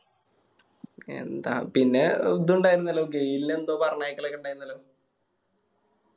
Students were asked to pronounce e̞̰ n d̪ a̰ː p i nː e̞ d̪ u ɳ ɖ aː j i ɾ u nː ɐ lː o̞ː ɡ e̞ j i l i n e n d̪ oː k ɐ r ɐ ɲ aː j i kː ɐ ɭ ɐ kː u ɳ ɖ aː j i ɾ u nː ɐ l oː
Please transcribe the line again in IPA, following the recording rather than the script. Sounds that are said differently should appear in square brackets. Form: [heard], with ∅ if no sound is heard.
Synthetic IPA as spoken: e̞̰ n d̪ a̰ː p i nː e̞ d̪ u ɳ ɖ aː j i ɾ u nː ɐ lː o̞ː ɡ e̞ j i l i n e n d̪ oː [p] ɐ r ɐ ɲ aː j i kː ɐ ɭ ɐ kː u ɳ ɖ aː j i ɾ u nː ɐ l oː